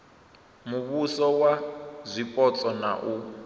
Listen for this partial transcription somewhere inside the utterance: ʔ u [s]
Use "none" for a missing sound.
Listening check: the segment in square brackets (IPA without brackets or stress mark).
none